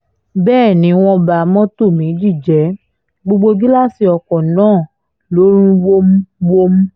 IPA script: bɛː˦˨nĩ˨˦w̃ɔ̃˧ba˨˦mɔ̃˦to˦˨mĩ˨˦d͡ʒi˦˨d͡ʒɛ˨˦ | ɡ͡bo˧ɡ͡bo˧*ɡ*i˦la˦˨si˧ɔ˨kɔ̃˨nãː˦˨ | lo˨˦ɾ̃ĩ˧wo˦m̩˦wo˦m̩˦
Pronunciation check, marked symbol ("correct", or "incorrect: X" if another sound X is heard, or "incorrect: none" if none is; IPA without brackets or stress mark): correct